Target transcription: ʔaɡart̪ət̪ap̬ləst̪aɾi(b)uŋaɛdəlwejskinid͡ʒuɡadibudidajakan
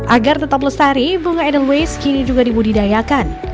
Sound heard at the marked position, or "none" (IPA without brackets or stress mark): b